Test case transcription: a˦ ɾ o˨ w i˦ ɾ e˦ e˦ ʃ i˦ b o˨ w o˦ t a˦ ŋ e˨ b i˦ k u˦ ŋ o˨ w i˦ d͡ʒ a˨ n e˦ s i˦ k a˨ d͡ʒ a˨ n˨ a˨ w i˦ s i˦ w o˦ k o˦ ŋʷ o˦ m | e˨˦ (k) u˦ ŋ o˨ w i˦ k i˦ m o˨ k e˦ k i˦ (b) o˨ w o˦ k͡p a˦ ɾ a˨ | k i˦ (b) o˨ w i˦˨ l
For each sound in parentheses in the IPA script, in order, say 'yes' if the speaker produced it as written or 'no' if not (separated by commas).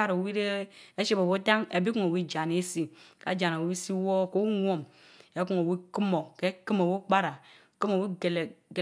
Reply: yes, no, no